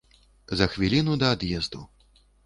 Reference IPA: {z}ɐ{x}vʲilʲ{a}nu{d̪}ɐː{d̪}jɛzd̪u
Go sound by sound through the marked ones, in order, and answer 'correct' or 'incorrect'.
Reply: correct, correct, incorrect: i, correct, correct

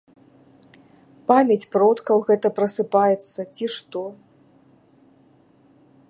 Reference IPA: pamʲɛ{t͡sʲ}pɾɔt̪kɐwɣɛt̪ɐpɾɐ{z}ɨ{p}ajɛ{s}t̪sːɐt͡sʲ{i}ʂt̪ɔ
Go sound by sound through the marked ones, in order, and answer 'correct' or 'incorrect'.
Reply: correct, incorrect: s, correct, incorrect: none, correct

